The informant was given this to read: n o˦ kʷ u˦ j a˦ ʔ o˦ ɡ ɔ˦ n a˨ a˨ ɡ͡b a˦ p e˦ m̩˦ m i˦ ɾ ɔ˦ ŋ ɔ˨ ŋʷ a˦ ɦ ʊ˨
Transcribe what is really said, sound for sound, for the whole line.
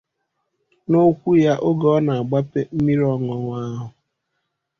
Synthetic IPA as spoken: n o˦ kʷ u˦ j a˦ ʔ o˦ ɡ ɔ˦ n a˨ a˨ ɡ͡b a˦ p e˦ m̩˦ m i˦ ɾ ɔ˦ ŋ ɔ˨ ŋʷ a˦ ɦ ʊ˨